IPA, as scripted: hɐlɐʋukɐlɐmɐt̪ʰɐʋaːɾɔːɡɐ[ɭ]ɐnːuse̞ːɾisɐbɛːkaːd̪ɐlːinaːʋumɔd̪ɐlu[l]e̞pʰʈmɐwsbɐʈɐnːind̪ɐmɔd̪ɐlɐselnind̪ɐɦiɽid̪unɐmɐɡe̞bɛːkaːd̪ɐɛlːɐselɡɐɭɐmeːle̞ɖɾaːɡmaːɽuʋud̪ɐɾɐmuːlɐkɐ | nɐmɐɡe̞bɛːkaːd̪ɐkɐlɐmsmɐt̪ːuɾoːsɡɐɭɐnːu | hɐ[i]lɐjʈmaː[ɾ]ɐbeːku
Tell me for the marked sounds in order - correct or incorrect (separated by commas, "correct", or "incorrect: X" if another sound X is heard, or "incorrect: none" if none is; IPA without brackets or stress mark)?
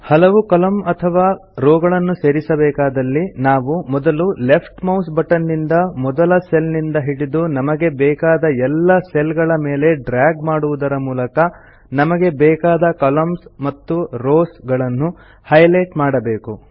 correct, correct, incorrect: j, incorrect: ɽ